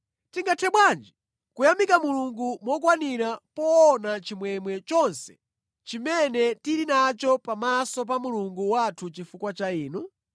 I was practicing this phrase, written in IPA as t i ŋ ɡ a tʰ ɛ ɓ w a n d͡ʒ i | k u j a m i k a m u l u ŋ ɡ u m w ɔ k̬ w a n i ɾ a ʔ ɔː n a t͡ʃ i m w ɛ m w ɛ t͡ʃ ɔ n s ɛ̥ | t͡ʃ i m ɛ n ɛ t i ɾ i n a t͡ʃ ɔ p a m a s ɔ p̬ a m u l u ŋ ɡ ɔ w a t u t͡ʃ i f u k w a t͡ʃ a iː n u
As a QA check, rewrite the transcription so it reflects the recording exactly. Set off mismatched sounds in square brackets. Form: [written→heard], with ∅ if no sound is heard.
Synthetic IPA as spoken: t i ŋ ɡ a tʰ ɛ ɓ w a n d͡ʒ i | k u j a m i k a m u l u ŋ ɡ u m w ɔ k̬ w a n i ɾ a [ʔ→p] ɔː n a t͡ʃ i m w ɛ m w ɛ t͡ʃ ɔ n s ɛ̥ | t͡ʃ i m ɛ n ɛ t i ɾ i n a t͡ʃ ɔ p a m a s ɔ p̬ a m u l u ŋ ɡ [ɔ→u] w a [t→tʰ] u t͡ʃ i f u k w a t͡ʃ a iː n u